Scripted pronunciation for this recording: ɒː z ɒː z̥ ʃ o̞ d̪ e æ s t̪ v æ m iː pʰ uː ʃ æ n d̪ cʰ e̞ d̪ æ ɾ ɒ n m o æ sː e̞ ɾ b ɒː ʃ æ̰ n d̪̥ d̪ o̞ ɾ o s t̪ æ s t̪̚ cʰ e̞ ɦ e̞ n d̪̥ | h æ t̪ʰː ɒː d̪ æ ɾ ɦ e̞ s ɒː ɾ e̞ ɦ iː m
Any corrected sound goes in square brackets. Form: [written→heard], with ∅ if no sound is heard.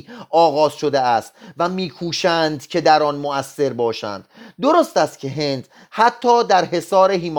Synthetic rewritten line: ɒː [z→ɣ] ɒː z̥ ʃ o̞ d̪ e æ s t̪ v æ m iː [pʰ→kʰ] uː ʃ æ n d̪ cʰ e̞ d̪ æ ɾ ɒ n m o æ sː e̞ ɾ b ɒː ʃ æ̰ n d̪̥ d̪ o̞ ɾ o s t̪ æ s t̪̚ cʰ e̞ ɦ e̞ n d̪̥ | h æ t̪ʰː ɒː d̪ æ ɾ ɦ e̞ s ɒː ɾ e̞ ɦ iː m